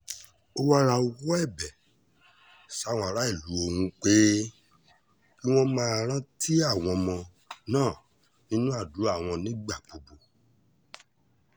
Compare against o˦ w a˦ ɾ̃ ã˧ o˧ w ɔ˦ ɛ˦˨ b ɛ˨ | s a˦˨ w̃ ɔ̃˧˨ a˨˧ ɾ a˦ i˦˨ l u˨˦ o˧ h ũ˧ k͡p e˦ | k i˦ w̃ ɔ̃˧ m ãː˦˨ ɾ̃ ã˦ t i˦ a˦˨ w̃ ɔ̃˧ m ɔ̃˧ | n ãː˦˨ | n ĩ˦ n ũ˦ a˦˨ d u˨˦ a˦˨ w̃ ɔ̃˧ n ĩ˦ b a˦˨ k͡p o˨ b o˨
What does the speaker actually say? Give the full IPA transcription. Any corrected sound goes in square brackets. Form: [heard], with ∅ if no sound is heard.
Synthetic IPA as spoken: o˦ w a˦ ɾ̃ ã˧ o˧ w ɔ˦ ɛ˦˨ b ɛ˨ | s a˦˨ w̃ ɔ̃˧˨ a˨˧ ɾ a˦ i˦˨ l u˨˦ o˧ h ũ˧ k͡p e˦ | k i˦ w̃ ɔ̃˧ m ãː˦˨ ɾ̃ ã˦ t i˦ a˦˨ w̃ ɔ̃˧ m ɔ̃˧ | n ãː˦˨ | n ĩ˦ n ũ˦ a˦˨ d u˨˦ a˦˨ w̃ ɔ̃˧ n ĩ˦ [ɡ͡b] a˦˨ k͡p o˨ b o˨